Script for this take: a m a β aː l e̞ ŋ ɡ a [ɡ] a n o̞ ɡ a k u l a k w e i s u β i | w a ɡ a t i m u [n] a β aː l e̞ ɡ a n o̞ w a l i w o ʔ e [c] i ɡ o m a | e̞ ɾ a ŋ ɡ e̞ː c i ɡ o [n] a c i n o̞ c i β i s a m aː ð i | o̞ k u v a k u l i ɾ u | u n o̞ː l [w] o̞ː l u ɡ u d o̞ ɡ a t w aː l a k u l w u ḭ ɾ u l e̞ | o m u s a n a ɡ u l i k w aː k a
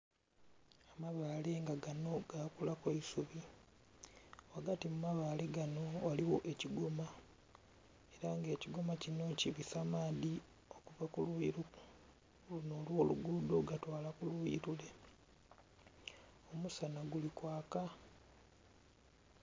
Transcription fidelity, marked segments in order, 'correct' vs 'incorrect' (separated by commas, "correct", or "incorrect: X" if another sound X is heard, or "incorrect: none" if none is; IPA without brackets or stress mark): correct, incorrect: m, correct, incorrect: m, correct